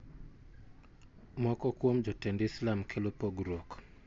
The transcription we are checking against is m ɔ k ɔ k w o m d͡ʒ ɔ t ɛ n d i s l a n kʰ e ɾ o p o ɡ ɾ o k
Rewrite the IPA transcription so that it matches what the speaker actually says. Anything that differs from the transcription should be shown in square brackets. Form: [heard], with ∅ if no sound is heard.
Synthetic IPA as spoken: m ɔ k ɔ k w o m d͡ʒ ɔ t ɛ n d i s l a [m] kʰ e [l] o p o ɡ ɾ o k

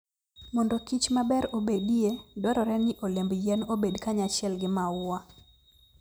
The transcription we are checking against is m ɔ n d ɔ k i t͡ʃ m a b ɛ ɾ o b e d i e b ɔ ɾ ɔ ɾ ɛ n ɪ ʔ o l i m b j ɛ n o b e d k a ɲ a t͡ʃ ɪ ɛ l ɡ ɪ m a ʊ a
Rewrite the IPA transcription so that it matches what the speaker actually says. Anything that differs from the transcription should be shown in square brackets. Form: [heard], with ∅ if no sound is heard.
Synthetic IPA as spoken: m ɔ n d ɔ k i t͡ʃ m a b ɛ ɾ o b e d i e [d] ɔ ɾ ɔ ɾ ɛ n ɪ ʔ o l [e] m b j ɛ n o b e d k a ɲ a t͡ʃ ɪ ɛ l ɡ ɪ m a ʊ a

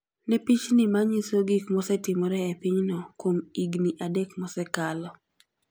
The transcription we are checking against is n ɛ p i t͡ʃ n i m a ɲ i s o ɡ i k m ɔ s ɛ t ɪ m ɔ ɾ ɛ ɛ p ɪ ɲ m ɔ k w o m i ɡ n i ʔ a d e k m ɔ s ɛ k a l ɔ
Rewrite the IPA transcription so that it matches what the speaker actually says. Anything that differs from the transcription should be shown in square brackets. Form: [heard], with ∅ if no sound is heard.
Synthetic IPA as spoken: n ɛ p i t͡ʃ n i m a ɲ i s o ɡ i k m ɔ s ɛ t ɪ m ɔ ɾ ɛ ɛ p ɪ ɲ [n] ɔ k w o m i ɡ n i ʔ a d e k m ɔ s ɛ k a l ɔ

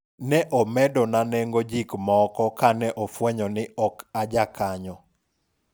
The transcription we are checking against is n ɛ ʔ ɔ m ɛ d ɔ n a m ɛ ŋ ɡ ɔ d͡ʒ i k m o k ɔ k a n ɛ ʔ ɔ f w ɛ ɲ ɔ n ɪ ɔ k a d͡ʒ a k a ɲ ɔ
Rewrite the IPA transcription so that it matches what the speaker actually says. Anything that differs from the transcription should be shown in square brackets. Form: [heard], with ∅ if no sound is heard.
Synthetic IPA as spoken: n ɛ ʔ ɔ m ɛ d ɔ n a [n] ɛ ŋ ɡ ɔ d͡ʒ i k m [ɔ] k ɔ k a n ɛ ʔ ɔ f w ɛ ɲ ɔ n ɪ ɔ k a d͡ʒ a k a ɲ ɔ

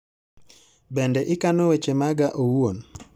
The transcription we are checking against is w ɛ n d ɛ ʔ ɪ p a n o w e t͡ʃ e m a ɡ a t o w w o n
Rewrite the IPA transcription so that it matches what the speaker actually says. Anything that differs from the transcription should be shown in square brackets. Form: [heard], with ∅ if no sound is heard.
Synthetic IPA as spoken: [b] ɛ n d ɛ ʔ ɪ [k] a n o w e t͡ʃ e m a ɡ a [ʔ] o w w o n

